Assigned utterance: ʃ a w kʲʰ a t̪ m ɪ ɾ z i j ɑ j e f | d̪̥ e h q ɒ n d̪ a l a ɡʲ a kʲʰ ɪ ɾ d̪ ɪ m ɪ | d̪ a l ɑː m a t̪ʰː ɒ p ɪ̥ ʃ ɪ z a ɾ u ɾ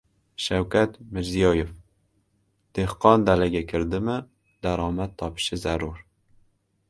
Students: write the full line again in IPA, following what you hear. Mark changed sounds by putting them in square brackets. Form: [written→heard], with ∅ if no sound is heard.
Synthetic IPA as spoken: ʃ a w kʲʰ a t̪ m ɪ ɾ z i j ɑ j e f | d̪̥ e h q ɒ n d̪ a l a ɡʲ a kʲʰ ɪ ɾ d̪ ɪ m ɪ | d̪ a [l→ɾ] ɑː m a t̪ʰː ɒ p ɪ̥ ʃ ɪ z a ɾ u ɾ